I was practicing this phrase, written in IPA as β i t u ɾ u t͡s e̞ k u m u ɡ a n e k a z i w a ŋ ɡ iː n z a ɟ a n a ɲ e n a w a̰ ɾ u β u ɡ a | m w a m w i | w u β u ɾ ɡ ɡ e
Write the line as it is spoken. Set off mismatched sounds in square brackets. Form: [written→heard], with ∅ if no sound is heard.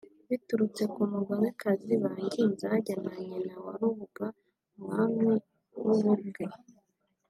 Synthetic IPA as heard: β i t u ɾ u t͡s e̞ k u m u ɡ a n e k a z i [w→β] a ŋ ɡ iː n z a ɟ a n a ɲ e n a w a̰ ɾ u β u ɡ a | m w a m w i | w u β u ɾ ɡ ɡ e